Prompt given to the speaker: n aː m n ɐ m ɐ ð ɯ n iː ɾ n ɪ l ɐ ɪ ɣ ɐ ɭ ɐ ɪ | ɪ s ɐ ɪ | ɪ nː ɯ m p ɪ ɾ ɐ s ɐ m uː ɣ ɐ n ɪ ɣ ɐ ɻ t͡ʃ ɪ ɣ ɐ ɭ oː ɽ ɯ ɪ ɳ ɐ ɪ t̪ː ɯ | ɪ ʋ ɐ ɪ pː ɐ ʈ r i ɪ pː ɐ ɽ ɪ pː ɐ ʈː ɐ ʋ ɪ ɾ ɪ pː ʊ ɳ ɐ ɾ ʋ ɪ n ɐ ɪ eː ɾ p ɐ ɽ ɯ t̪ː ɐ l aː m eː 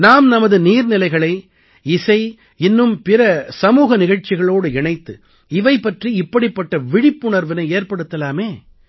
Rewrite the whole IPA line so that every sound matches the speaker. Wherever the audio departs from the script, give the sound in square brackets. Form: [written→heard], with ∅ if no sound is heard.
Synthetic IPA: n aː m n ɐ m ɐ ð ɯ n iː ɾ n ɪ l ɐ ɪ ɣ ɐ ɭ ɐ ɪ | ɪ s ɐ ɪ | ɪ nː ɯ m p ɪ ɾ ɐ s ɐ m uː ɣ ɐ n ɪ ɣ ɐ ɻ t͡ʃ ɪ ɣ ɐ ɭ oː ɽ ɯ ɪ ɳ ɐ ɪ t̪ː ɯ | ɪ ʋ ɐ ɪ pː ɐ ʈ r i ɪ pː ɐ ɽ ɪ pː ɐ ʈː ɐ ʋ ɪ [ɾ→ɽ] ɪ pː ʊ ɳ ɐ ɾ ʋ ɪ n ɐ ɪ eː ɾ p ɐ ɽ ɯ t̪ː ɐ l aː m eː